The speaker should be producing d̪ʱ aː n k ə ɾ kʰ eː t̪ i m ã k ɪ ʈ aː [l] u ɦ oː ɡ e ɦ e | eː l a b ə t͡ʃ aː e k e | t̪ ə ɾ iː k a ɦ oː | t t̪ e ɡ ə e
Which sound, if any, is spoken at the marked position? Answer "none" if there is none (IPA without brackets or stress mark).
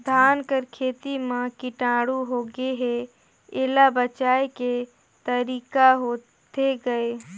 ɽ